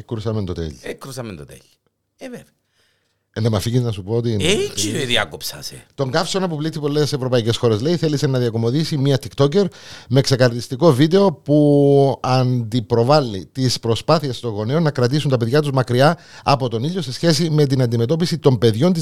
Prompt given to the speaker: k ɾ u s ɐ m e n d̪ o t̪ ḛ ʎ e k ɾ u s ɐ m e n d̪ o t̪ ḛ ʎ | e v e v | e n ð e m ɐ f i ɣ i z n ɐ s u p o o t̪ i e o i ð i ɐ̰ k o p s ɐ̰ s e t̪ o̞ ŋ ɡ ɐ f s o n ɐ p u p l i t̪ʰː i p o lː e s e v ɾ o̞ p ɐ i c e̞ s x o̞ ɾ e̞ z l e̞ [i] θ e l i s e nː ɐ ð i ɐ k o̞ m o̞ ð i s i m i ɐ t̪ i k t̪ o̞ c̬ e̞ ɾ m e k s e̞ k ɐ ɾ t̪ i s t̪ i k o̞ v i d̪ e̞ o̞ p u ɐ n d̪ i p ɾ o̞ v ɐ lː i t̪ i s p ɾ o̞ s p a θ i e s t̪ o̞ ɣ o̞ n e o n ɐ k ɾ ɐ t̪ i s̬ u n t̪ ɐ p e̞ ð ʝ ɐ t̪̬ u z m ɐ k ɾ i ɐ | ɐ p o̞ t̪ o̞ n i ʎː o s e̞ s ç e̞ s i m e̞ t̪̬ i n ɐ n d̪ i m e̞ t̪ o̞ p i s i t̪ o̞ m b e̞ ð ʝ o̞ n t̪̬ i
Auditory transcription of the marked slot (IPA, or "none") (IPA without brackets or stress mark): i